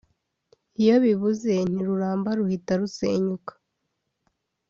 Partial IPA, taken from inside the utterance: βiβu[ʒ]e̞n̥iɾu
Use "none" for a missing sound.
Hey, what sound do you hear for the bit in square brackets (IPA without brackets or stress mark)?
z